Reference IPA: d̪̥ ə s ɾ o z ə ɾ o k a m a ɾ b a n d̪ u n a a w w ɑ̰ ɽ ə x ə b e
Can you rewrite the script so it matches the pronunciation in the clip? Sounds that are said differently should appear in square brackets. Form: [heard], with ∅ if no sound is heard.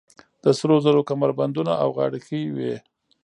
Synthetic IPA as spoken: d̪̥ ə s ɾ o z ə ɾ o k a m a ɾ b a n d̪ u n a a w [ɣ] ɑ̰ ɽ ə x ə [w] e